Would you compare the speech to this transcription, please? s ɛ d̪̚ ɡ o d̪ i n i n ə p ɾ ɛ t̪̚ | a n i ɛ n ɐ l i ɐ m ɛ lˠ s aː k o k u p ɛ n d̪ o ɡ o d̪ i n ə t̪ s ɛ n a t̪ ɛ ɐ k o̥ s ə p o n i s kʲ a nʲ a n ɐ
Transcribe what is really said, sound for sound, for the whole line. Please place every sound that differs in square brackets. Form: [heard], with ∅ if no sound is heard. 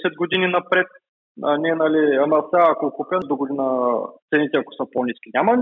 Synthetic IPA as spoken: s ɛ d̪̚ ɡ o d̪ i n i n [ɐ] p ɾ ɛ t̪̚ | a n i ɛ n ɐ l i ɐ m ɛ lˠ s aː k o k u p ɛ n d̪ o ɡ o d̪ i n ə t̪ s ɛ n [i] t̪ ɛ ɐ k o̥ s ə p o n i s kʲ [i] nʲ a [m] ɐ